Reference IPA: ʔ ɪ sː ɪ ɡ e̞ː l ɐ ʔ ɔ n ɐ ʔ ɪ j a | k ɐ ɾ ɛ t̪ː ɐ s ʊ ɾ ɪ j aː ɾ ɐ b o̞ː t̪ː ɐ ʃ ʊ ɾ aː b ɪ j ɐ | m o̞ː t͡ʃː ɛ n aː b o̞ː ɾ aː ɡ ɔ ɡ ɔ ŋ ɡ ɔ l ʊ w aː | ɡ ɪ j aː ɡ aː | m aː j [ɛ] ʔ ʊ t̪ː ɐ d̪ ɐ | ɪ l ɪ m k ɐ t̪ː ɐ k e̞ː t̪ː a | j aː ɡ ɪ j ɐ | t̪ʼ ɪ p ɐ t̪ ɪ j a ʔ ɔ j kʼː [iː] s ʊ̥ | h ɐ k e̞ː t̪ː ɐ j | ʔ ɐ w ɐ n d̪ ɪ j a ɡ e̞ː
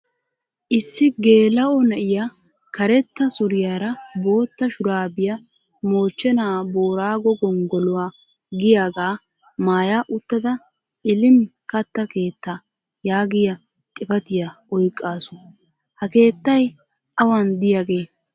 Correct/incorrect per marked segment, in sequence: incorrect: a, incorrect: aː

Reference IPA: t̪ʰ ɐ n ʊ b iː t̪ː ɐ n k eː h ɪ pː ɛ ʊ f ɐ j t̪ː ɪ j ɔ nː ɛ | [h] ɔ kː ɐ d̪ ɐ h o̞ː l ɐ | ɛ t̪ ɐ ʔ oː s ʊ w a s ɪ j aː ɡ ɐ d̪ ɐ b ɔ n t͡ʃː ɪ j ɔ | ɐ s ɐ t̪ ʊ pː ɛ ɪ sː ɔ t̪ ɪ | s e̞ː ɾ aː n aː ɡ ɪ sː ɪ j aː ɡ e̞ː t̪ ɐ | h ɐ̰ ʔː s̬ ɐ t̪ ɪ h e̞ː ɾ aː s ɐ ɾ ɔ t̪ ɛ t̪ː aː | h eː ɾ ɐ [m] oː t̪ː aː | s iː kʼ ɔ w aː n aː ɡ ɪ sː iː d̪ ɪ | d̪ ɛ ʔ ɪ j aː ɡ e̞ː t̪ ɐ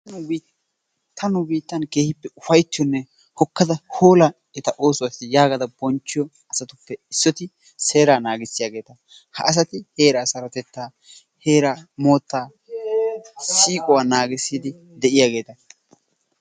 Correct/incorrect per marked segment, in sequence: correct, correct

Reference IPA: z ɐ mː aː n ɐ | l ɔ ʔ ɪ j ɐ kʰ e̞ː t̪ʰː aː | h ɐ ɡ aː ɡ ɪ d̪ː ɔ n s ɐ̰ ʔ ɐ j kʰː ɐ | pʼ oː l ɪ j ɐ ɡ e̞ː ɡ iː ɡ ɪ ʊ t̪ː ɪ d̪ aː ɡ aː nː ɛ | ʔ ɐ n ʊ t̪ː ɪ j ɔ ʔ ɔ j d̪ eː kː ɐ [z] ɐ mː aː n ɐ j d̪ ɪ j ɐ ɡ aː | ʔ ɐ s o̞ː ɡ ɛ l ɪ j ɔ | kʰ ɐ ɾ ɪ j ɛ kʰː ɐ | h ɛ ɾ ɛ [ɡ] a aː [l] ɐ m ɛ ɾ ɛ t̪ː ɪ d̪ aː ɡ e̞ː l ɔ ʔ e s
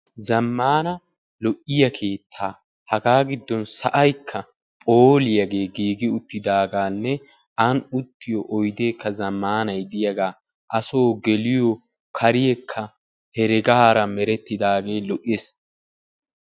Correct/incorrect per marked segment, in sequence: correct, correct, incorrect: ɾ

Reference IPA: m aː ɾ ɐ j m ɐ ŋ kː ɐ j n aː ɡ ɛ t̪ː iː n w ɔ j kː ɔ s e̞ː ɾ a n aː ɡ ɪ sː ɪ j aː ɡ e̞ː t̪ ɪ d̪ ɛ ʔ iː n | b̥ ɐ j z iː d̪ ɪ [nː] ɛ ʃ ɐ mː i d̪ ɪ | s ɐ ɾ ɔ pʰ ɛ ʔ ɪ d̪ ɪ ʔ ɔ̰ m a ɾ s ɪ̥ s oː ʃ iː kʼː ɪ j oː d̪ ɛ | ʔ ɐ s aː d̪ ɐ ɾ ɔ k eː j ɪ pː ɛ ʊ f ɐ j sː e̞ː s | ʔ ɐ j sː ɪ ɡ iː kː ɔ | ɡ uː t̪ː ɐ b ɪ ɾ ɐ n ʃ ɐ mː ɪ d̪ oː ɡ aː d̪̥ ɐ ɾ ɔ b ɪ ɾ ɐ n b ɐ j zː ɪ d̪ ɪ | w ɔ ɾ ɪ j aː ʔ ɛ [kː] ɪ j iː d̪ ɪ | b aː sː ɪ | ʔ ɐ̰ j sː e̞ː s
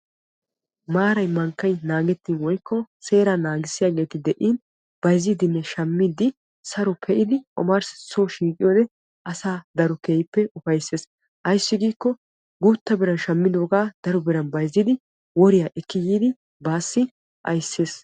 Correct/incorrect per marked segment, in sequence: correct, correct

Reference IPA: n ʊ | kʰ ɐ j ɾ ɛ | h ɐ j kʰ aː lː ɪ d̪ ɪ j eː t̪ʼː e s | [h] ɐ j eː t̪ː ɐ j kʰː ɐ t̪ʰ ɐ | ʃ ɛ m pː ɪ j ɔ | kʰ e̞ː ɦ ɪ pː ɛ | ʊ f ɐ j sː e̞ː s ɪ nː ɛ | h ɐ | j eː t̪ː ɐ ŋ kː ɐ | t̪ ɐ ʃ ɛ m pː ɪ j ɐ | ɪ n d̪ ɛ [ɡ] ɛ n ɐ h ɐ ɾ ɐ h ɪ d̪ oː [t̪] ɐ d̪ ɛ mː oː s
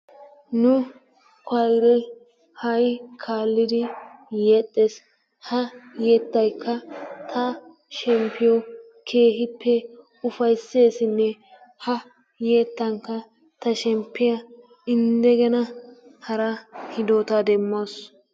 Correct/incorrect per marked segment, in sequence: correct, correct, correct

